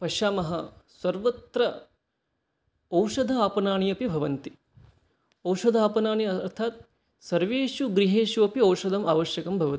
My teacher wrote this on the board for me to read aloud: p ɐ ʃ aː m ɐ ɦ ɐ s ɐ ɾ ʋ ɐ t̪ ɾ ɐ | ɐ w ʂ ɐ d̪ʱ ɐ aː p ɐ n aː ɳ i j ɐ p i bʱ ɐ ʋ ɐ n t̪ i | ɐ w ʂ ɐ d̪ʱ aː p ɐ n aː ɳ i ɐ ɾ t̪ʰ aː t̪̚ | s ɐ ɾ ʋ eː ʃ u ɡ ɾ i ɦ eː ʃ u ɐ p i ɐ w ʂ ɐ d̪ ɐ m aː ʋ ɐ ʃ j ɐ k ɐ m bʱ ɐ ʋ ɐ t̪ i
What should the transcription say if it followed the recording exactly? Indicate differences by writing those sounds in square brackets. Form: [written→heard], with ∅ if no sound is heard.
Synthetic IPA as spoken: p ɐ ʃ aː m ɐ ɦ ɐ s ɐ ɾ ʋ ɐ t̪ ɾ ɐ | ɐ w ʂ ɐ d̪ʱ ɐ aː p ɐ n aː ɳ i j ɐ p i bʱ ɐ ʋ ɐ n t̪ i | ɐ w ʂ ɐ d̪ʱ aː p ɐ n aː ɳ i ɐ ɾ t̪ʰ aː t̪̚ | s ɐ ɾ ʋ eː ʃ u ɡ ɾ i ɦ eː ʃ u ɐ p i ɐ w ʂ ɐ d̪ ɐ m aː ʋ ɐ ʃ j ɐ k ɐ m bʱ ɐ ʋ ɐ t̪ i